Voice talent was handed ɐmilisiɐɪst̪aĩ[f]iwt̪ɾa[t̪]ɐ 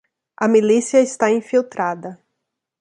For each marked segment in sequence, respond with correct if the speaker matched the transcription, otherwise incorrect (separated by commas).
correct, incorrect